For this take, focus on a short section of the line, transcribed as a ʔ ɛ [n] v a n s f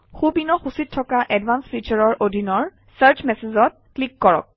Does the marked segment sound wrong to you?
yes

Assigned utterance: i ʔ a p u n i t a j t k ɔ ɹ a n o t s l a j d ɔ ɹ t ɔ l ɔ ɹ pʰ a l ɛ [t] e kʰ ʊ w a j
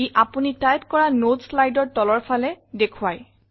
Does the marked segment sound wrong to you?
yes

